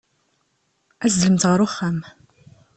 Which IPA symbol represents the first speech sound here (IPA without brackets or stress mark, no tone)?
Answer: æ